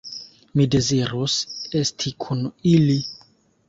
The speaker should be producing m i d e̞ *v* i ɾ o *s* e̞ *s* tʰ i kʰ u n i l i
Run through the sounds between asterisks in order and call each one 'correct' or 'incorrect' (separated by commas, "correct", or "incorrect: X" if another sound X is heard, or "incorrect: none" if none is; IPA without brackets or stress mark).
incorrect: z, correct, correct